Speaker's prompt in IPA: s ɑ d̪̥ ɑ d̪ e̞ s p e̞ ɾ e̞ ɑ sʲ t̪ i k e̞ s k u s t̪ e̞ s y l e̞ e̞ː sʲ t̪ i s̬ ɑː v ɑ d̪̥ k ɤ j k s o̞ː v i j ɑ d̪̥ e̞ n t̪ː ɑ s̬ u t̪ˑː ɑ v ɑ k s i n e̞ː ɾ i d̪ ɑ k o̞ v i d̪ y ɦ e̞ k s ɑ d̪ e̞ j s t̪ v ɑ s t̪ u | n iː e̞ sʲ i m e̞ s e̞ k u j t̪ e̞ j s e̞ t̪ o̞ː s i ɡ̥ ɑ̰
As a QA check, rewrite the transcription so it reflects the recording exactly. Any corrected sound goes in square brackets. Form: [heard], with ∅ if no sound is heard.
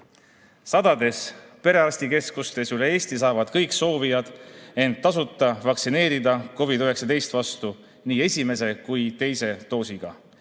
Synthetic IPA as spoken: s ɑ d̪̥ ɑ d̪ e̞ s p e̞ ɾ e̞ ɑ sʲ t̪ i k e̞ s k u s t̪ e̞ s y l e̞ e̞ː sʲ t̪ i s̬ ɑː v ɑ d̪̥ k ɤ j k s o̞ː v i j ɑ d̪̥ e̞ n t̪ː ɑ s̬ u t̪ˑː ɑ v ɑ k s i n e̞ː ɾ i d̪ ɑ k o̞ v i d̪ y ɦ e̞ k s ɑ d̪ e̞ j s t̪ v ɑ s t̪ u | n iː e̞ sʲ i m e̞ s e̞ k u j t̪ e̞ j s e̞ t̪ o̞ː s i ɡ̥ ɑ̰

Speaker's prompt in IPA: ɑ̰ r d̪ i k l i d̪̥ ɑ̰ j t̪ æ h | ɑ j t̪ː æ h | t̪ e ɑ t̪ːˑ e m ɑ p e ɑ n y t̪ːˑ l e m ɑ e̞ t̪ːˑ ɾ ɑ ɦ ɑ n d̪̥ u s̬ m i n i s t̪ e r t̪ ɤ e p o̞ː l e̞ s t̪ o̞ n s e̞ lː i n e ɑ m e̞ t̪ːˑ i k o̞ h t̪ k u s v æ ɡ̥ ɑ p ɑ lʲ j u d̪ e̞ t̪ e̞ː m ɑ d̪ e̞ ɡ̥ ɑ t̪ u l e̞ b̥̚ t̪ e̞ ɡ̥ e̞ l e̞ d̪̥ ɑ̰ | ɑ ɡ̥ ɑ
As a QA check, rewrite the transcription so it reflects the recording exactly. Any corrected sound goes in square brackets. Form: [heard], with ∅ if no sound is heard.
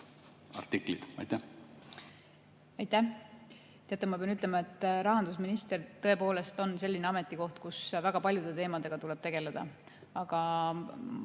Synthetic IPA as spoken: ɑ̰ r [t̪] i k l i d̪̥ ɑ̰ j t̪ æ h | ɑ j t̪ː æ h | t̪ e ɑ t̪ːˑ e m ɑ p e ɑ n y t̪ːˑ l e m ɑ e̞ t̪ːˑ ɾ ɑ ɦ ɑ n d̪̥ u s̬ m i n i s t̪ e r t̪ ɤ e p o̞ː l e̞ s t̪ o̞ n s e̞ lː i n e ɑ m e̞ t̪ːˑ i k o̞ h t̪ k u s v æ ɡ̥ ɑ p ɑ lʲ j u d̪ e̞ t̪ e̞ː m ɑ d̪ e̞ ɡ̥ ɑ t̪ u l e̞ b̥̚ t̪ e̞ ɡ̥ e̞ l e̞ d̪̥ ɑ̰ | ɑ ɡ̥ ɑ

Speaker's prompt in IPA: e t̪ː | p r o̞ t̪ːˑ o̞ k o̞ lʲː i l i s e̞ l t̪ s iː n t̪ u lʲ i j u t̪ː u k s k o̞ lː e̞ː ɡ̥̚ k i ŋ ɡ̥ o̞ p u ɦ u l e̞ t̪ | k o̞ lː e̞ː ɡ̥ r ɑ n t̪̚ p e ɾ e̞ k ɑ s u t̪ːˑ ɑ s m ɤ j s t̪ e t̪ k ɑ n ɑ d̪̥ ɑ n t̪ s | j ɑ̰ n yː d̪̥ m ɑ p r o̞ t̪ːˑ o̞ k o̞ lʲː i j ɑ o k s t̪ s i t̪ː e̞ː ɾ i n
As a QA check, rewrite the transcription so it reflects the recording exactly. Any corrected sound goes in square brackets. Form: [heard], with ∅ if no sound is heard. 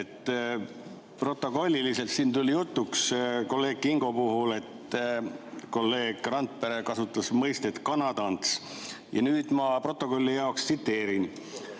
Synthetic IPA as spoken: e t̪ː | p r o̞ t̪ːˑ o̞ k o̞ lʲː i l i s e̞ l t̪ s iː n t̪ u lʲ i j u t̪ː u k s k o̞ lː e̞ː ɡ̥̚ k i ŋ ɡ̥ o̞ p u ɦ u l e̞ t̪ | k o̞ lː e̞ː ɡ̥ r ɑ n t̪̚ p e ɾ e̞ k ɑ s u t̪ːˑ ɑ s m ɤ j s t̪ e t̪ k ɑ n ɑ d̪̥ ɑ n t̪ s | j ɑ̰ n yː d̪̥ m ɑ p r o̞ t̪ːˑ o̞ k o̞ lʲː i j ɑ o k s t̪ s i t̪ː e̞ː ɾ i n

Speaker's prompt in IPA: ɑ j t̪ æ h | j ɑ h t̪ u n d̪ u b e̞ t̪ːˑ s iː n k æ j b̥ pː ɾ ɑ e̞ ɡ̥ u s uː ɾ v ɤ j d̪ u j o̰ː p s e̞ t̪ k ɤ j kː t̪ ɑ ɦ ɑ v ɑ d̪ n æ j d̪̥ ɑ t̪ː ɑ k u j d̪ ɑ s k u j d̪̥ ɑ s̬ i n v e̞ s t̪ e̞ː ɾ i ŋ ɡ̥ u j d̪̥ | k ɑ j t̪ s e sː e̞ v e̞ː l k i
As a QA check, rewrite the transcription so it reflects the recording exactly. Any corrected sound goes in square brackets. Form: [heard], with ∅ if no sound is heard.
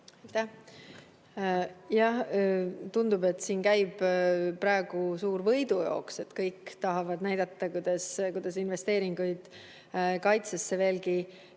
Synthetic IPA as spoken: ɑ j t̪ æ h | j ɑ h t̪ u n d̪ u b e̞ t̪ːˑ s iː n k æ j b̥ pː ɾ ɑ e̞ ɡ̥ u s uː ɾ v ɤ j d̪ u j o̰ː [k] s e̞ t̪ k ɤ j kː t̪ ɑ ɦ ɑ v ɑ d̪ n æ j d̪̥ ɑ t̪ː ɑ k u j d̪ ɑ s k u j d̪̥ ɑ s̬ i n v e̞ s t̪ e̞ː ɾ i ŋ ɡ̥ u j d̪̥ | k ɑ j t̪ s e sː e̞ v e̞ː l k i

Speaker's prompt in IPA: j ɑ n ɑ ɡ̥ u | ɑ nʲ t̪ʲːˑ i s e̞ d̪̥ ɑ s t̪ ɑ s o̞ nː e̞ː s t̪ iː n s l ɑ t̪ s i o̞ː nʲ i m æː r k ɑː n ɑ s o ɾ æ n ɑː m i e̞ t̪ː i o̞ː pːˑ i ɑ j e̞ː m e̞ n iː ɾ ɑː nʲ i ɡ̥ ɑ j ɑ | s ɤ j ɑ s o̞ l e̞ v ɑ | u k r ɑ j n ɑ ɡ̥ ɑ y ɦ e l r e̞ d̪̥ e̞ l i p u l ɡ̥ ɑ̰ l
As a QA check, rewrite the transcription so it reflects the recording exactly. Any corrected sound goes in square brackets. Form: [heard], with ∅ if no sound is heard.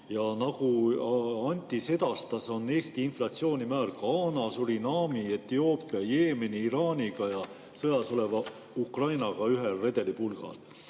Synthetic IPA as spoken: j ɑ n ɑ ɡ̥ u | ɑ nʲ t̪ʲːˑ i s e̞ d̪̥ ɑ s t̪ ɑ s o̞ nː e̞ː s t̪ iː n [f] l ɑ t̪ s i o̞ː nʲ i m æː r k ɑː n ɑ s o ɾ [i] n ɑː m i e̞ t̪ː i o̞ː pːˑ i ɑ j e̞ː m e̞ n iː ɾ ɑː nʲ i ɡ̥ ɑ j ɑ | s ɤ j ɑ s o̞ l e̞ v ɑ | u k r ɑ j n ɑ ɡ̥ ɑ y ɦ e l r e̞ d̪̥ e̞ l i p u l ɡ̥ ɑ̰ l

